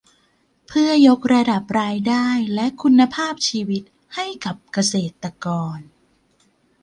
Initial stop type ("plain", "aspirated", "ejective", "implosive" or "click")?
aspirated